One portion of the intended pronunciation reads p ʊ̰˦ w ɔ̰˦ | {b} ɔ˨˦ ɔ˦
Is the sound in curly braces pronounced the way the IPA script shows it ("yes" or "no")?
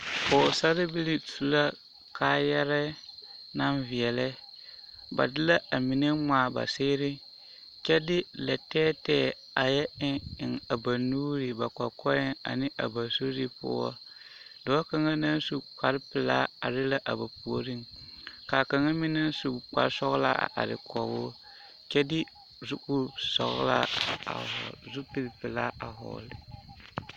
no